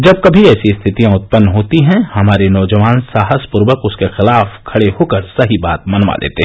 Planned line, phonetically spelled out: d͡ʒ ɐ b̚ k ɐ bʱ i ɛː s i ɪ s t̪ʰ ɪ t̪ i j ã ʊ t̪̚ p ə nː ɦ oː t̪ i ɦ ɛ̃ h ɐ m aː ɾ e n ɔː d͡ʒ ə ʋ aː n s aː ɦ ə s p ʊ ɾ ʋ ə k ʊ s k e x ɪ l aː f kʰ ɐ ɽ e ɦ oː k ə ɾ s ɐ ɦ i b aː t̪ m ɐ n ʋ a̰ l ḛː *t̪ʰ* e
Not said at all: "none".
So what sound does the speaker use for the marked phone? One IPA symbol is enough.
t̪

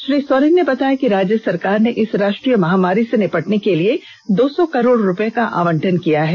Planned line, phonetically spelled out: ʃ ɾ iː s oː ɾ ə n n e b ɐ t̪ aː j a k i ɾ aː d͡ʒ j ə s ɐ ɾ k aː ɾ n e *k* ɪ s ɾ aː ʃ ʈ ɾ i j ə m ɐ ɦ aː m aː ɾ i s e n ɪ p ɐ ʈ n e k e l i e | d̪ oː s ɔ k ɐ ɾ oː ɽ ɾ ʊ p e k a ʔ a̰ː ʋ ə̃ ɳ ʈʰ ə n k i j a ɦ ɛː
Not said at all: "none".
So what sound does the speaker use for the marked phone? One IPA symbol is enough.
ʔ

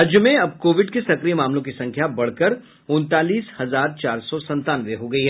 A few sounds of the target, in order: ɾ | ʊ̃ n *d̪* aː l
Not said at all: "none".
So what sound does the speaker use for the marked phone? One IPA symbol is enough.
t̪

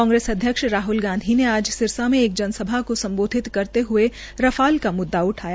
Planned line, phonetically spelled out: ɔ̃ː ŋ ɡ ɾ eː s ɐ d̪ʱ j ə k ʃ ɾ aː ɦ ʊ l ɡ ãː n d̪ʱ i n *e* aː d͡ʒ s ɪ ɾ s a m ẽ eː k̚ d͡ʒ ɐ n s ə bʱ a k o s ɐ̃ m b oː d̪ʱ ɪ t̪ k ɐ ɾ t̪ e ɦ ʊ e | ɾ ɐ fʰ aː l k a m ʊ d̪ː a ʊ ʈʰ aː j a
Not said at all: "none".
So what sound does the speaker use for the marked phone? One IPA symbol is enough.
e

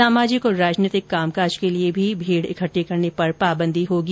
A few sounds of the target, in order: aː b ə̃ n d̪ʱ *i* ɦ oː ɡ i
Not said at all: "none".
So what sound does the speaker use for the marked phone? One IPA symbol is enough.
i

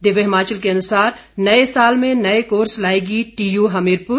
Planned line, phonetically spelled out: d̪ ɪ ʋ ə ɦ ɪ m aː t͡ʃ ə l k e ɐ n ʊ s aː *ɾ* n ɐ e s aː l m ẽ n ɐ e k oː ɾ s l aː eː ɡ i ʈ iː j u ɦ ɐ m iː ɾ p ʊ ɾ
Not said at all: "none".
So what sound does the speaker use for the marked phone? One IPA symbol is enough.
ɾ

